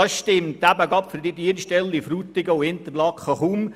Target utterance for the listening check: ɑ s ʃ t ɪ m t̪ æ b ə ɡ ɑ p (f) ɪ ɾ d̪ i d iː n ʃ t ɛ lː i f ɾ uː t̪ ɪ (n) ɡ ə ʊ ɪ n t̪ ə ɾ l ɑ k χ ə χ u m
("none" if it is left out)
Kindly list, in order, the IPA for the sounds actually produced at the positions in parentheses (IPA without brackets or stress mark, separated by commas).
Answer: f, none